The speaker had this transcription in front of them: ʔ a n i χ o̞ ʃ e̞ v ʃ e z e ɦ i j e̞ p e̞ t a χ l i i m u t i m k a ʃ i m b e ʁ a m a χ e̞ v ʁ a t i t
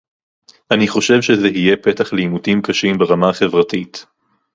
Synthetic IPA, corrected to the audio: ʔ a n i χ o̞ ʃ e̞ v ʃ e z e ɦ i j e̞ p e̞ t a χ l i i m u t i m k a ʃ i m b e ʁ a m a χ e̞ v ʁ a t i t